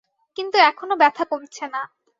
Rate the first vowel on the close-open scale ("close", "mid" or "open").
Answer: close